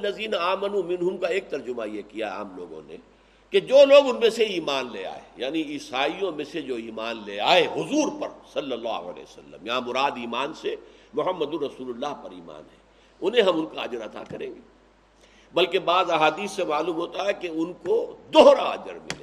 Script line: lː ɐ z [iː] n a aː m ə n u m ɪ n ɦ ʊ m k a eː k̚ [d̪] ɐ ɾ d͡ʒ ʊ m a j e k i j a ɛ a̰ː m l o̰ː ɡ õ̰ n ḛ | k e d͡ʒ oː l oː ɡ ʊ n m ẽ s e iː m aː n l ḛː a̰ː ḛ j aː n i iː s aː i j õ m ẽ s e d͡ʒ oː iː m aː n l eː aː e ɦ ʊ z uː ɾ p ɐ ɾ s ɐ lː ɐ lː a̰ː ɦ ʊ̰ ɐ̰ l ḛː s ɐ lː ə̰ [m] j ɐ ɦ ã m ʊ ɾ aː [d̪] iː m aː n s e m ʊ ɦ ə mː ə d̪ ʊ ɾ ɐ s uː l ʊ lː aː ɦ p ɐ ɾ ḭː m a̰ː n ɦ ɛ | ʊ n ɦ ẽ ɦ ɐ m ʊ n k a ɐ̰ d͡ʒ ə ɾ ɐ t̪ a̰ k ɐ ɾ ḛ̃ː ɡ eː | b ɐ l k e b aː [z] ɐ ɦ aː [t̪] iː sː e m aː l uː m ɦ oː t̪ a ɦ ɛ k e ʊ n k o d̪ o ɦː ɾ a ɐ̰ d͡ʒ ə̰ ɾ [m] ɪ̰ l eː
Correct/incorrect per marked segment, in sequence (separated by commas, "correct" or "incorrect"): correct, incorrect, correct, correct, correct, incorrect, correct